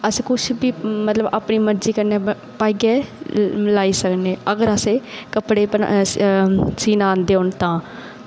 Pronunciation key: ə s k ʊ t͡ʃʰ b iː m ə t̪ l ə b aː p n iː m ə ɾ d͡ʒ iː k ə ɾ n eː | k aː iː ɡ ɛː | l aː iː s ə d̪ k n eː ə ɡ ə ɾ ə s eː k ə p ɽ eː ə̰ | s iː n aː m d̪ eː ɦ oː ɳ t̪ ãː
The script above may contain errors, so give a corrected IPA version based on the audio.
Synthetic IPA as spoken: ə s k ʊ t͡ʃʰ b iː m ə t̪ l ə b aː p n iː m ə ɾ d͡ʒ iː k ə ɾ n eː | p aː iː ɡ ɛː | l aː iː s ə k n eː ə ɡ ə ɾ ə s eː k ə p ɽ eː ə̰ | s iː n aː n d̪ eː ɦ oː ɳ t̪ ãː